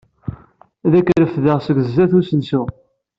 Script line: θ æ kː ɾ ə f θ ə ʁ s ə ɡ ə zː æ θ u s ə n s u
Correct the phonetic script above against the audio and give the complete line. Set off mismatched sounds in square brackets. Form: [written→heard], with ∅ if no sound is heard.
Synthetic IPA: [θ→ð] æ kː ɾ ə f [θ→ð] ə ʁ s ə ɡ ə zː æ θ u s ə n s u